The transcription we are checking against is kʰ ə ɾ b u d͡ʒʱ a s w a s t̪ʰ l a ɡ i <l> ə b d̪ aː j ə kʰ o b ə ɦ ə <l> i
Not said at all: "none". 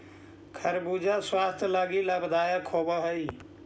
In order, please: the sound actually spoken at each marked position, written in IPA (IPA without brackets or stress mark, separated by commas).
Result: l, none